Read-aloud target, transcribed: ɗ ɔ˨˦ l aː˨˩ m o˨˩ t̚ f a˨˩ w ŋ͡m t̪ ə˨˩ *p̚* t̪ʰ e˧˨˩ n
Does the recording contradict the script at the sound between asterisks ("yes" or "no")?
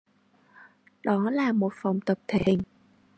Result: no